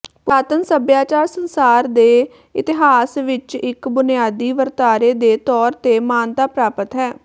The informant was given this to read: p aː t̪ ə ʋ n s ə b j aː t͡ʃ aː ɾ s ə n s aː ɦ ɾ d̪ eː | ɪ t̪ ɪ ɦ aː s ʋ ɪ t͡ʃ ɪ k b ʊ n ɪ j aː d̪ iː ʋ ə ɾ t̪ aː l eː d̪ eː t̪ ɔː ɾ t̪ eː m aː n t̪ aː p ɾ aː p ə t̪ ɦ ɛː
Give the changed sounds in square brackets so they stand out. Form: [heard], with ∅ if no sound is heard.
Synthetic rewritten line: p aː t̪ ə [∅] n s ə b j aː t͡ʃ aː ɾ s ə n s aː [∅] ɾ d̪ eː | ɪ t̪ ɪ ɦ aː s ʋ ɪ t͡ʃ ɪ k b ʊ n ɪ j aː d̪ iː ʋ ə ɾ t̪ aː [ɾ] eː d̪ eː t̪ ɔː ɾ t̪ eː m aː n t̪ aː p ɾ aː p ə t̪ ɦ ɛː